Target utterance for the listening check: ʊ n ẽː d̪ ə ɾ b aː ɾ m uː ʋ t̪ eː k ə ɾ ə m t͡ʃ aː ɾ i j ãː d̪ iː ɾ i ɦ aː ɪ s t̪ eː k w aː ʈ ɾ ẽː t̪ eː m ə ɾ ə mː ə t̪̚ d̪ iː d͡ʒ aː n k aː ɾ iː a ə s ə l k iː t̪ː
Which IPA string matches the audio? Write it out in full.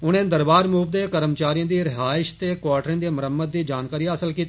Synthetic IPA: ʊ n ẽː d̪ ə ɾ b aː ɾ m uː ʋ d̪ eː k ə ɾ ə m t͡ʃ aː ɾ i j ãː d̪ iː ɾ ɪ ɦ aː ɪ ʃ t̪ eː k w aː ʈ ɾ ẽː d̪ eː m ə ɾ ə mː ə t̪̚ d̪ iː d͡ʒ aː n k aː ɾ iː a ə s ə l k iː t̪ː